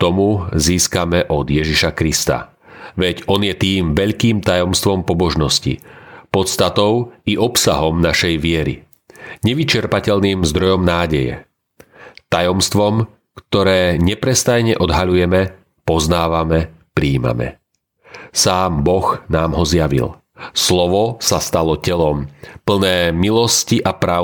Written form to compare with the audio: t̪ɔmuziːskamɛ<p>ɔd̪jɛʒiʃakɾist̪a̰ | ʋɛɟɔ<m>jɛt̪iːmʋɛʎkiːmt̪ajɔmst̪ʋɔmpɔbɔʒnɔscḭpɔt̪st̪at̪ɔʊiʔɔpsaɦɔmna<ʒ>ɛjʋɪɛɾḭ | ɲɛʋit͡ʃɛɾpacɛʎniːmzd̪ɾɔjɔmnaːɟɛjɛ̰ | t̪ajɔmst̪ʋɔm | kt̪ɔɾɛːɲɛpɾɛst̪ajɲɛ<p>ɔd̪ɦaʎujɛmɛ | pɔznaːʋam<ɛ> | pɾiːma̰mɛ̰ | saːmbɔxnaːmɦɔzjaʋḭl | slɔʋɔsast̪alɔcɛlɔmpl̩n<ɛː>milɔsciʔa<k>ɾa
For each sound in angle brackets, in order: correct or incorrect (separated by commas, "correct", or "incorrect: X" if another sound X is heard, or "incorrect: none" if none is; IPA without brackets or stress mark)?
incorrect: ʔ, incorrect: n, incorrect: ʃ, incorrect: ʔ, correct, correct, incorrect: p